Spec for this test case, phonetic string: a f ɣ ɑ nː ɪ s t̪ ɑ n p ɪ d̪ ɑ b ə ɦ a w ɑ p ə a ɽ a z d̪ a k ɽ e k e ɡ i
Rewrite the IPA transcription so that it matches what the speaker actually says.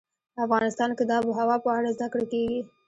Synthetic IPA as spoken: a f ɣ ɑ n ɪ s t̪ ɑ n k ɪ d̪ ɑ b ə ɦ a w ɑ p ə a ɽ a z d̪ a k ɽ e k e ɡ i